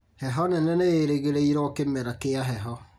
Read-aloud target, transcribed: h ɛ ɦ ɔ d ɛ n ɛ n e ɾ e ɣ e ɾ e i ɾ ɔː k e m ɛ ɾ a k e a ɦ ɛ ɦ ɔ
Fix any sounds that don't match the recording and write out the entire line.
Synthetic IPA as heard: h ɛ ɦ ɔ n ɛ n ɛ n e ɾ e ɣ e ɾ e i ɾ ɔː k e m ɛ ɾ a k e a ɦ ɛ ɦ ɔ